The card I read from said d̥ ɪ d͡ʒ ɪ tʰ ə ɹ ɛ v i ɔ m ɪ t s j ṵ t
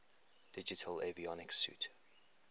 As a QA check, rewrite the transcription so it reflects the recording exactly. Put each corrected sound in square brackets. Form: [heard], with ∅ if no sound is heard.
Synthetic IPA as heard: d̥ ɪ d͡ʒ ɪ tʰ ə [l] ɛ v i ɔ [n] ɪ [k] s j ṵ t